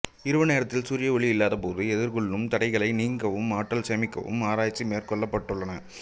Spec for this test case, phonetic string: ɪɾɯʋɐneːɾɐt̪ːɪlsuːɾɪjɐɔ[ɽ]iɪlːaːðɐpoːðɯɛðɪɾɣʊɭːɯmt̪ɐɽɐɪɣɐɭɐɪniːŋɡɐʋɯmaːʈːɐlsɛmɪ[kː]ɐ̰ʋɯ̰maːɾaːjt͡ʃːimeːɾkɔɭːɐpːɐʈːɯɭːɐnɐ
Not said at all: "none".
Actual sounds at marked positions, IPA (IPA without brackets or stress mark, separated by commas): ɭ, kː